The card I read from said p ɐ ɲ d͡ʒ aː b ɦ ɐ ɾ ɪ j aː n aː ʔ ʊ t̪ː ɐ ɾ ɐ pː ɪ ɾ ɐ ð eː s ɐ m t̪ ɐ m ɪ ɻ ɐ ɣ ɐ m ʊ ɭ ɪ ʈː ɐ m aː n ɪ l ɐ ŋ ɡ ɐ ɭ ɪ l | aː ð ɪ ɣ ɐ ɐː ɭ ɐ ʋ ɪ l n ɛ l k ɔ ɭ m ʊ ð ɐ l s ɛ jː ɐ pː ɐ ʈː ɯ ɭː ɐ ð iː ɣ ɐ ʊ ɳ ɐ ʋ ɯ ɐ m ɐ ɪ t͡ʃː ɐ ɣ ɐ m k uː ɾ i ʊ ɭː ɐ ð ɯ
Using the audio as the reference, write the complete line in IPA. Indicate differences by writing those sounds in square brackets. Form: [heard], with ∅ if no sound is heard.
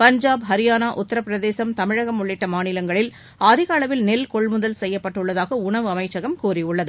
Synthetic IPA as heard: p ɐ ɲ d͡ʒ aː b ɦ ɐ ɾ ɪ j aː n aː ʔ ʊ t̪ː ɐ ɾ ɐ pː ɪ ɾ ɐ ð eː s ɐ m t̪ ɐ m ɪ ɻ ɐ ɣ ɐ m ʊ [ɭː] ɪ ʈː ɐ m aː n ɪ l ɐ ŋ ɡ ɐ ɭ ɪ l | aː ð ɪ ɣ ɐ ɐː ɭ ɐ ʋ ɪ l n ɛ l k ɔ ɭ m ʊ ð ɐ l s ɛ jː ɐ pː ɐ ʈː ɯ ɭː ɐ ð [aː] ɣ ɐ ʊ ɳ ɐ ʋ ɯ ɐ m ɐ ɪ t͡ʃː ɐ ɣ ɐ m k uː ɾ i ʊ ɭː ɐ ð ɯ

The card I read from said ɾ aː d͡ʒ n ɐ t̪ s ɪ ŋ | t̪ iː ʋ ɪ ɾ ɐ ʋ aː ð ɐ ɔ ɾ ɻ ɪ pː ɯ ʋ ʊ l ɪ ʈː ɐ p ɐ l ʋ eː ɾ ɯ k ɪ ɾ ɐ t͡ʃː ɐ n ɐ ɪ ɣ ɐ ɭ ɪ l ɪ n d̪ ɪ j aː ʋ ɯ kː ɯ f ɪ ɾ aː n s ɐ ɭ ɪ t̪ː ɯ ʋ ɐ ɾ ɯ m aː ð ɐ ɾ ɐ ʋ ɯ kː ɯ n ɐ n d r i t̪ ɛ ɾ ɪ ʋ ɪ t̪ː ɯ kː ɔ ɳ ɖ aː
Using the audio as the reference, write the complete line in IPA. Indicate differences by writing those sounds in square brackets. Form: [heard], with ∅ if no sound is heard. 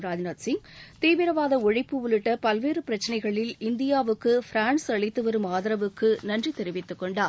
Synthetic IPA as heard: ɾ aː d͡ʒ n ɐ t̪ s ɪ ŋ | t̪ iː ʋ ɪ ɾ ɐ ʋ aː ð ɐ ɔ [∅] ɻ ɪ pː ɯ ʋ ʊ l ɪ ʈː ɐ p ɐ l ʋ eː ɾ ɯ [p] ɪ ɾ ɐ t͡ʃː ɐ n ɐ ɪ ɣ ɐ ɭ ɪ l ɪ n d̪ ɪ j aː ʋ ɯ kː ɯ f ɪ ɾ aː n s ɐ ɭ ɪ t̪ː ɯ ʋ ɐ ɾ ɯ m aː ð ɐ ɾ ɐ ʋ ɯ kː ɯ n ɐ n d r i t̪ ɛ ɾ ɪ ʋ ɪ t̪ː ɯ kː ɔ ɳ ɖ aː

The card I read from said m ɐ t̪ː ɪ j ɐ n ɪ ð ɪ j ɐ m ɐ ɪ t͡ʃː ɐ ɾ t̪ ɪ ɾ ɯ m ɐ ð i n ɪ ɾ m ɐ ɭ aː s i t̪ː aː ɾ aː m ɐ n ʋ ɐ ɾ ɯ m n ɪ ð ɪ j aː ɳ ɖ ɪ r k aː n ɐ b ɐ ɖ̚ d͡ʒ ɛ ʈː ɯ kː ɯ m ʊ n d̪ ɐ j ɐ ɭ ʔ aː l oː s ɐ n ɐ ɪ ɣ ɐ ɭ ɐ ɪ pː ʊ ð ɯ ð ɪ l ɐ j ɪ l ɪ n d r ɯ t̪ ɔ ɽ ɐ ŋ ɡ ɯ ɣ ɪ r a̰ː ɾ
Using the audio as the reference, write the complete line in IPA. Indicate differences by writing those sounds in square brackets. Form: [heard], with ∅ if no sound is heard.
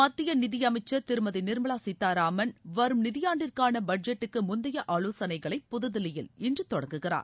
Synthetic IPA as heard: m ɐ t̪ː ɪ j ɐ n ɪ ð ɪ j ɐ m ɐ ɪ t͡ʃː ɐ ɾ t̪ ɪ ɾ ɯ m ɐ ð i n ɪ ɾ m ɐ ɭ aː s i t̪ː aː ɾ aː m ɐ n ʋ ɐ ɾ ɯ m n ɪ ð ɪ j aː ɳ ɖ ɪ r k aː n ɐ b ɐ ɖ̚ d͡ʒ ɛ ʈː ɯ kː ɯ m ʊ n d̪ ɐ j ɐ [∅] ʔ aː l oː s ɐ n ɐ ɪ ɣ ɐ ɭ ɐ ɪ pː ʊ ð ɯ ð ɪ l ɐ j ɪ l ɪ n d r ɯ t̪ ɔ ɽ ɐ ŋ ɡ ɯ ɣ ɪ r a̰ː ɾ

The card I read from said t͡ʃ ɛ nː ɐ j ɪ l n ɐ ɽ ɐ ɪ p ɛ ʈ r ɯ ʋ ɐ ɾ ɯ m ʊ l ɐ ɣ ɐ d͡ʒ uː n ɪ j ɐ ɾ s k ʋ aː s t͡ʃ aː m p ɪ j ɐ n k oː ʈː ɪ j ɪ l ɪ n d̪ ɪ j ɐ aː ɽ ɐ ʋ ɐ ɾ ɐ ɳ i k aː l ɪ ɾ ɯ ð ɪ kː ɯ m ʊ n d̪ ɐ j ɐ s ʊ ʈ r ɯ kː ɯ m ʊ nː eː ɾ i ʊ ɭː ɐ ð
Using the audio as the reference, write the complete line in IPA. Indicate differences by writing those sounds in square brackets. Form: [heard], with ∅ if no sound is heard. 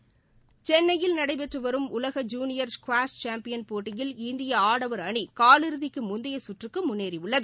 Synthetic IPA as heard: t͡ʃ ɛ nː ɐ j ɪ l n ɐ ɽ ɐ ɪ p ɛ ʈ r ɯ ʋ ɐ ɾ ɯ m ʊ l ɐ ɣ ɐ d͡ʒ uː n ɪ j ɐ ɾ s k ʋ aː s t͡ʃ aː m p ɪ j ɐ n [p] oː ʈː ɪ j ɪ l ɪ n d̪ ɪ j ɐ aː ɽ ɐ ʋ ɐ ɾ ɐ ɳ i k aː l ɪ ɾ ɯ ð ɪ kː ɯ m ʊ n d̪ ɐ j ɐ s ʊ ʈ r ɯ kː ɯ m ʊ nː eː ɾ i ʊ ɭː ɐ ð

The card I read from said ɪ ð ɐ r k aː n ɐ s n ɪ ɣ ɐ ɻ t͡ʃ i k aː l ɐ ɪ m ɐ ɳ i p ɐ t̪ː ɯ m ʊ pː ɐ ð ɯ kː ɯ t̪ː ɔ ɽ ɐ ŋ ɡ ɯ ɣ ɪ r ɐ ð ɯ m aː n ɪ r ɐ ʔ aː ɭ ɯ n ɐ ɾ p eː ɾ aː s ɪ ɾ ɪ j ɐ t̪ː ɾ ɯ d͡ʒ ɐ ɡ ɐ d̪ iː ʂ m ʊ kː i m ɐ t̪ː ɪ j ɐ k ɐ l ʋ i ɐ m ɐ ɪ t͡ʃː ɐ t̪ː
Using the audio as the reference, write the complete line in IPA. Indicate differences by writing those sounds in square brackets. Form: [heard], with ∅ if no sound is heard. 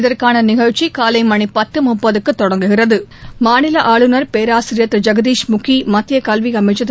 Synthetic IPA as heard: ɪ ð ɐ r k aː n ɐ [∅] n ɪ ɣ ɐ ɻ t͡ʃ i k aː l ɐ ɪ m ɐ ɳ i p ɐ t̪ː ɯ m ʊ pː ɐ ð ɯ kː ɯ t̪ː ɔ ɽ ɐ ŋ ɡ ɯ ɣ ɪ r ɐ ð ɯ m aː n ɪ [l] ɐ ʔ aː ɭ ɯ n ɐ ɾ p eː ɾ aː s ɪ ɾ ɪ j ɐ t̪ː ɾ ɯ d͡ʒ ɐ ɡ ɐ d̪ iː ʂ m ʊ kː i m ɐ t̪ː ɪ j ɐ k ɐ l ʋ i ɐ m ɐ ɪ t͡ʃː ɐ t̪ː

